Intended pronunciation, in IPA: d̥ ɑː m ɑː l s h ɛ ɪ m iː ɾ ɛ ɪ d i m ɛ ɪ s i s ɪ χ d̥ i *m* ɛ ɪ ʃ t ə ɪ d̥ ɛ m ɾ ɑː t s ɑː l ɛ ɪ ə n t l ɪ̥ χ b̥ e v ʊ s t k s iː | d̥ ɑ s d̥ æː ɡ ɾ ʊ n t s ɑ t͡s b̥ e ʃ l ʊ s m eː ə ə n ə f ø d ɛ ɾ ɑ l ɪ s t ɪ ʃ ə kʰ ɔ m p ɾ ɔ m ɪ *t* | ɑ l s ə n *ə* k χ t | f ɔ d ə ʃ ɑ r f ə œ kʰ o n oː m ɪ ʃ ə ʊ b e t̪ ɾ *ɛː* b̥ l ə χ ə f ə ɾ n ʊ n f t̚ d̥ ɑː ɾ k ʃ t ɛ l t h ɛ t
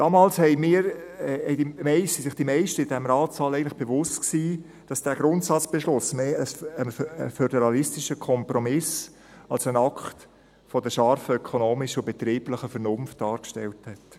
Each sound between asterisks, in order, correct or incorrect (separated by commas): correct, incorrect, incorrect, incorrect